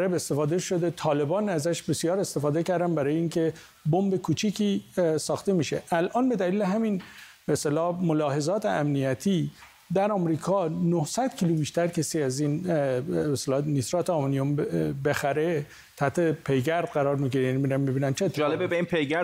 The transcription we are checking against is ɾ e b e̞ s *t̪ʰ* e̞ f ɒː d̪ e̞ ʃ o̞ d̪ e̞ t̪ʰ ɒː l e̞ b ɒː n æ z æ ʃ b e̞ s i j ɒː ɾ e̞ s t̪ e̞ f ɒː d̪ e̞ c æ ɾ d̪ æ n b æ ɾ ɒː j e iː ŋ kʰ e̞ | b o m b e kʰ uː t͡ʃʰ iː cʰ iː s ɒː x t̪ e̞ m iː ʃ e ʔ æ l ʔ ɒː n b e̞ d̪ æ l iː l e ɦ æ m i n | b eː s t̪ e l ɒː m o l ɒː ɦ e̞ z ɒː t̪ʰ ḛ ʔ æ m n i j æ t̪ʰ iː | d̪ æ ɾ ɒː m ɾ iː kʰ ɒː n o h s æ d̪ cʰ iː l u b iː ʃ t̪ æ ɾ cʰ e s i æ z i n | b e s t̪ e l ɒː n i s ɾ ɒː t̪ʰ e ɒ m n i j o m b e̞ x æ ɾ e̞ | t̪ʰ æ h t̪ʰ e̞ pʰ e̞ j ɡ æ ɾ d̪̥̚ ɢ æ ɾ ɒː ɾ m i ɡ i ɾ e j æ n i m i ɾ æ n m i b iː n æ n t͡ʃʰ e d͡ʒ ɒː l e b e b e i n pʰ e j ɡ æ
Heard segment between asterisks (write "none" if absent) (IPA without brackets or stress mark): t̪